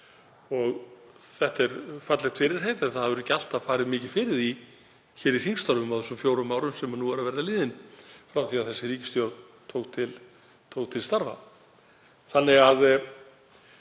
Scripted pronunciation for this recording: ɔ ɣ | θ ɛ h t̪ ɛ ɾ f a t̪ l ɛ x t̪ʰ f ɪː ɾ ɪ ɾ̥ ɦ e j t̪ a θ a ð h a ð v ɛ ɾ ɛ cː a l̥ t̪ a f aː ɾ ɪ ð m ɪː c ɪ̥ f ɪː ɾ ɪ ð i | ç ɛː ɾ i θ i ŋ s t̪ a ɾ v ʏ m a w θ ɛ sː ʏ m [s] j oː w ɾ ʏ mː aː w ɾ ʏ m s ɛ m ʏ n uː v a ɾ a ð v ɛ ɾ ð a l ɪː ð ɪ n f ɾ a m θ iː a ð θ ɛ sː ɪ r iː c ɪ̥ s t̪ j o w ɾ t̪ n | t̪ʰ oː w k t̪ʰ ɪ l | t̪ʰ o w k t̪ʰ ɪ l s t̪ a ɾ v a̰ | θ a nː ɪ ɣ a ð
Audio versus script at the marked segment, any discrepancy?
yes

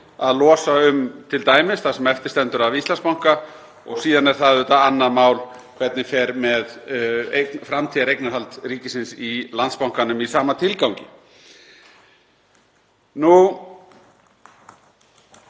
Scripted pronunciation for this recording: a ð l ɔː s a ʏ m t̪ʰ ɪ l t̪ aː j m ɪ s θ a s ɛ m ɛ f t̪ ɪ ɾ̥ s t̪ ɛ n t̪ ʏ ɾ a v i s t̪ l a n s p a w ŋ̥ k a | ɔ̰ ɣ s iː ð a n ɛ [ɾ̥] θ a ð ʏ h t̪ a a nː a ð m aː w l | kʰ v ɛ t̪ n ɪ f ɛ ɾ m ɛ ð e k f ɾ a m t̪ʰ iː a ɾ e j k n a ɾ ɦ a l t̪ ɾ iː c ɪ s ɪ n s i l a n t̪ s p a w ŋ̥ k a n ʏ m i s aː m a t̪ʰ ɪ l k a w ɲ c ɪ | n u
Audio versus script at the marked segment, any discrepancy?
no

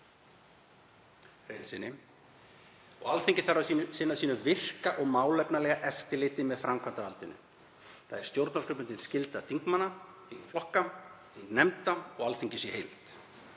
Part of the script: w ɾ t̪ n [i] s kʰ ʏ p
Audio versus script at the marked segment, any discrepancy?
yes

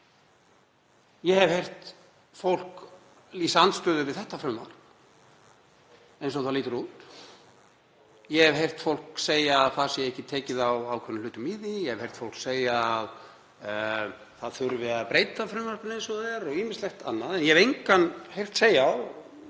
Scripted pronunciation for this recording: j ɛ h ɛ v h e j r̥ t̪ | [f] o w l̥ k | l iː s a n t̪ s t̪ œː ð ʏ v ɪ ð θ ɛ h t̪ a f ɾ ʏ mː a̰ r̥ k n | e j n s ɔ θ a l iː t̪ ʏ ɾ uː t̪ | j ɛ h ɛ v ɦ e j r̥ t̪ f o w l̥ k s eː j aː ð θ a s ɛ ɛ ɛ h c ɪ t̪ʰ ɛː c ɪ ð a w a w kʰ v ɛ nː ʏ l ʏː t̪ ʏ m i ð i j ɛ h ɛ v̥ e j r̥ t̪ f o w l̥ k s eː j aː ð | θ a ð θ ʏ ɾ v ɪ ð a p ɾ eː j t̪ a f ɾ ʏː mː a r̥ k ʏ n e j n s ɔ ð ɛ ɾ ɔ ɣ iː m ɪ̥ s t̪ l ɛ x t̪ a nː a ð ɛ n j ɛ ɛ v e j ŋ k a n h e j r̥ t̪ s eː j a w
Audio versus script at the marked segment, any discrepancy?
no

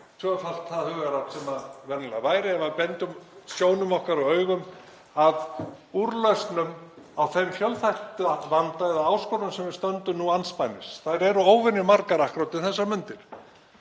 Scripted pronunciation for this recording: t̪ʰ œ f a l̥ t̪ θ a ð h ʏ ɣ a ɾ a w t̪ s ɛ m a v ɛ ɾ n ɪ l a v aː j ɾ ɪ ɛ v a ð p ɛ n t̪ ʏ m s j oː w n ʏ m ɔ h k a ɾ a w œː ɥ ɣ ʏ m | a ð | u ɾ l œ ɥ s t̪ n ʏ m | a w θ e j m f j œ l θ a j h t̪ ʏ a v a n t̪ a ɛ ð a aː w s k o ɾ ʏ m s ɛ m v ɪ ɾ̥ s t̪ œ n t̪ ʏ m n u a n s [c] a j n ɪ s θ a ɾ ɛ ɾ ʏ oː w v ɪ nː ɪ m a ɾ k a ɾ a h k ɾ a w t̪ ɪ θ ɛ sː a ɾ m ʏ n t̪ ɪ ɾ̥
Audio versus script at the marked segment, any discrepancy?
yes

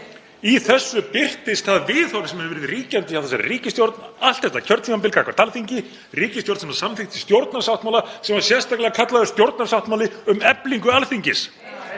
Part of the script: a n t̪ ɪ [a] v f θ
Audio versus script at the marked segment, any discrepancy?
no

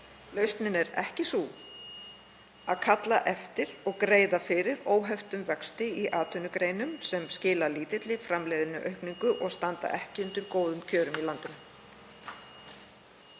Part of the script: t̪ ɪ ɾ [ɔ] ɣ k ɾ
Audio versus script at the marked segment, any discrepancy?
no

